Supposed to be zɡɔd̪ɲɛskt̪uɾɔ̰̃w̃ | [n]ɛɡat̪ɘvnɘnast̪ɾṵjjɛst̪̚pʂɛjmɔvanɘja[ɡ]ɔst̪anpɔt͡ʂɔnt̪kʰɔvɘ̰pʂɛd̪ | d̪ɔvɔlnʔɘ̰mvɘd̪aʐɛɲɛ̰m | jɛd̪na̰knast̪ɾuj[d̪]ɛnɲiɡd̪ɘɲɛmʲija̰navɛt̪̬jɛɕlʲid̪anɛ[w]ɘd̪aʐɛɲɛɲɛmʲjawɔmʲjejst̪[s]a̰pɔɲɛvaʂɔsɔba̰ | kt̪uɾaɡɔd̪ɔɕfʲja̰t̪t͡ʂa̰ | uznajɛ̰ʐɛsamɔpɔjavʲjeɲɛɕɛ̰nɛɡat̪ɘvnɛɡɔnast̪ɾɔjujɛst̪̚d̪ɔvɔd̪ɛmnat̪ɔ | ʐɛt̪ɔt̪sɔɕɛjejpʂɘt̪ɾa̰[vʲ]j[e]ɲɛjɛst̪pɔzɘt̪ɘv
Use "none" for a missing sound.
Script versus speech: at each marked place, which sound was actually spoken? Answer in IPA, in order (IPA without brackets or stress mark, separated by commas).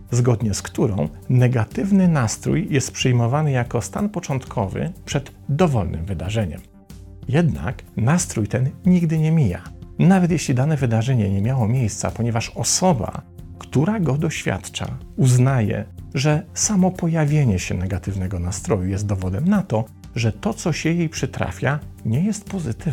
n, k, t̪, v, s, fʲ, a